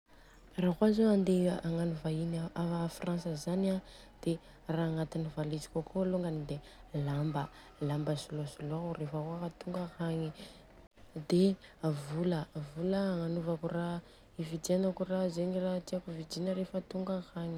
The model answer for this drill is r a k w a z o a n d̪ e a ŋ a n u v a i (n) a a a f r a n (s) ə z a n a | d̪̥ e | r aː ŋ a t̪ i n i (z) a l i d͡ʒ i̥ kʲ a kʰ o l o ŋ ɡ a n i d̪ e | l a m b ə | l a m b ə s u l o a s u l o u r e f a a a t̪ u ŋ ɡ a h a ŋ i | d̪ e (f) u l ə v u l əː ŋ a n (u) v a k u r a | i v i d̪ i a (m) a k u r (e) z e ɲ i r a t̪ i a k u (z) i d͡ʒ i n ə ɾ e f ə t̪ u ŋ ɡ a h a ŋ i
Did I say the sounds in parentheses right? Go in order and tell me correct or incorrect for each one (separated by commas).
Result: correct, correct, incorrect, incorrect, correct, incorrect, incorrect, incorrect